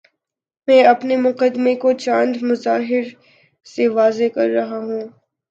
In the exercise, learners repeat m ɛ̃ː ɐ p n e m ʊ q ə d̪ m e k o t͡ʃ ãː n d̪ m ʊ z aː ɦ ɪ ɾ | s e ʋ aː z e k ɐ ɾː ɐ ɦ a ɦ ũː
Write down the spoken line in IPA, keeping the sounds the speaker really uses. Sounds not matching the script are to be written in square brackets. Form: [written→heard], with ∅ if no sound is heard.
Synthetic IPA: m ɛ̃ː ɐ p n e m ʊ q ə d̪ m e k o t͡ʃ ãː n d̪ m ʊ z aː ɦ ɪ ɾ | s e ʋ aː z e k ɐ ɾː ɐ ɦ a ɦ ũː